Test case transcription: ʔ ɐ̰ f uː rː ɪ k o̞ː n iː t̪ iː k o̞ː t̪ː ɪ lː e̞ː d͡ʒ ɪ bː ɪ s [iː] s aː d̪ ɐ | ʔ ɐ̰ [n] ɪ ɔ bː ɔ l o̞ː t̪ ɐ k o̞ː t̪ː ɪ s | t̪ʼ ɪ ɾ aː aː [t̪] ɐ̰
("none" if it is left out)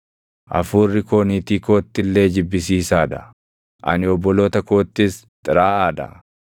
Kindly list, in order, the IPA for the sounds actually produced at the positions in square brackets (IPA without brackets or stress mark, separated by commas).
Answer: iː, n, d̪